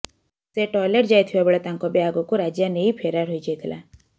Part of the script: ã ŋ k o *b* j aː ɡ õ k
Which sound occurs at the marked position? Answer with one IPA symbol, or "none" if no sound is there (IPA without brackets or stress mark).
b